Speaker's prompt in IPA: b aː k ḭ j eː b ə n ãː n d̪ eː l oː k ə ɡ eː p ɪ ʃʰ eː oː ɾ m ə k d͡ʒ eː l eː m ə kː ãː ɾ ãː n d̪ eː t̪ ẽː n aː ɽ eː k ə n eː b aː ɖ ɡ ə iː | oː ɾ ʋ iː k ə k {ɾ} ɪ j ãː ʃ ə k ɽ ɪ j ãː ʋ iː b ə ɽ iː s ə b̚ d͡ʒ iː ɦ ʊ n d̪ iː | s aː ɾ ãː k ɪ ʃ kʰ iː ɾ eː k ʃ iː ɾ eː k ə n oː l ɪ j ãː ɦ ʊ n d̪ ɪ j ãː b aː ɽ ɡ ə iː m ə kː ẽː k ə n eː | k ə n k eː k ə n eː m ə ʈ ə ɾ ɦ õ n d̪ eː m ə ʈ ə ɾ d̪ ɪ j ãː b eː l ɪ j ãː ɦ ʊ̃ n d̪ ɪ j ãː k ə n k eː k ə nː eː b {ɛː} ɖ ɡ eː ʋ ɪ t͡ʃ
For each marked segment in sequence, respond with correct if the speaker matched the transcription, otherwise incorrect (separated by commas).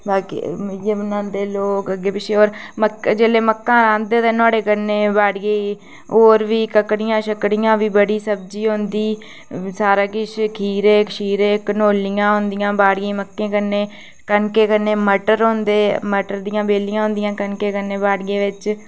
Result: incorrect, incorrect